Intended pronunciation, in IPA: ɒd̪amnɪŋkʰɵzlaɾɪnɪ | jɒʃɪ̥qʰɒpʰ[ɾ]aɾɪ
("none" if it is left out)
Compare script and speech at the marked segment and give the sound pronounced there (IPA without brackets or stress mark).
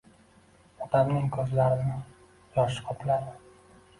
l